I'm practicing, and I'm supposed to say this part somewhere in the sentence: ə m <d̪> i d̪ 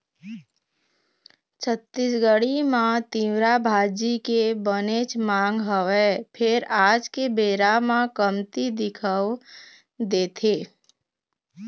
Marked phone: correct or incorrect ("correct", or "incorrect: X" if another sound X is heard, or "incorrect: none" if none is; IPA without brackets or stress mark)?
incorrect: t̪